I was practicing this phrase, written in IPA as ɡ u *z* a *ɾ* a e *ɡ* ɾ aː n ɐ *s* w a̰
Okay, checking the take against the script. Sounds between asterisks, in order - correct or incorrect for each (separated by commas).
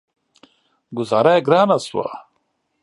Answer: correct, correct, correct, correct